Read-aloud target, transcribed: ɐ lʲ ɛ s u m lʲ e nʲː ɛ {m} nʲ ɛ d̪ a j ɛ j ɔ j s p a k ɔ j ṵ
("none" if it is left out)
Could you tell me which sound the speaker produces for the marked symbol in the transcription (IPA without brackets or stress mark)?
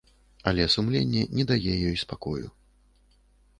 none